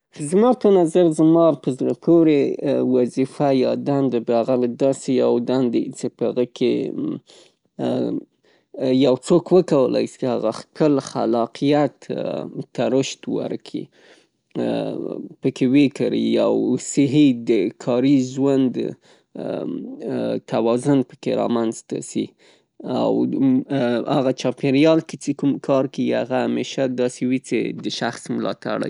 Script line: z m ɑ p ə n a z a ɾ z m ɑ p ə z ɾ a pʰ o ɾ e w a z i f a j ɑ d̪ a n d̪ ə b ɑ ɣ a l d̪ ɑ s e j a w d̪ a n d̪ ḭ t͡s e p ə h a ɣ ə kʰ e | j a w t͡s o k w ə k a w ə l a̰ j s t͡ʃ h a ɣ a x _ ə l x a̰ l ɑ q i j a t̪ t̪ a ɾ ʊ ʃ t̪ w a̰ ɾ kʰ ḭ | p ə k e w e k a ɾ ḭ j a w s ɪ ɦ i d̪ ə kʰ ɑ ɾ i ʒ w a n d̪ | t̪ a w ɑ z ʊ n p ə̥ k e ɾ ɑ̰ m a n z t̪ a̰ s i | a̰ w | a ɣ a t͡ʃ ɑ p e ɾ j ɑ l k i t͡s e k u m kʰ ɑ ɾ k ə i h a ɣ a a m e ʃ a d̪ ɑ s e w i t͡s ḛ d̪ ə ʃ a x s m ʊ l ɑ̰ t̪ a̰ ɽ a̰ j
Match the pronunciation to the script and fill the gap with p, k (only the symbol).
k